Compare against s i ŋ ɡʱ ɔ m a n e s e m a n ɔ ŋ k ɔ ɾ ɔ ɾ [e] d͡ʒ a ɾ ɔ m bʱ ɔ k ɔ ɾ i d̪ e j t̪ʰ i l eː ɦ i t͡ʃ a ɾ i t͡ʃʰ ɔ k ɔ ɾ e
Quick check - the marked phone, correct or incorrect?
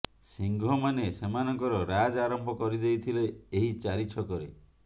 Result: incorrect